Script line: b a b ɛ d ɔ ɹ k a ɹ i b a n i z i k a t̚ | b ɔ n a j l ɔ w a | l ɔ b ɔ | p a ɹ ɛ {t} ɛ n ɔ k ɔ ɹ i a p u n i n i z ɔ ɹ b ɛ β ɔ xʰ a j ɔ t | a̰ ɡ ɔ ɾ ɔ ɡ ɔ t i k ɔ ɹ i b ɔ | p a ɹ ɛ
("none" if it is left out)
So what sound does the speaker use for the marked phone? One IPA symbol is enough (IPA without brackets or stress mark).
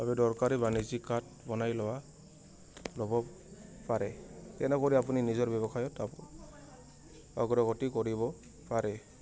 t